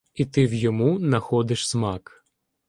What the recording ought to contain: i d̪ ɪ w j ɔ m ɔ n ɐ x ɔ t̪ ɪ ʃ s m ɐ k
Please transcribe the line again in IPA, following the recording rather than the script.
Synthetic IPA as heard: i t̪ ɪ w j ɔ m u n ɐ x ɔ d̪ ɪ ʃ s m ɑ k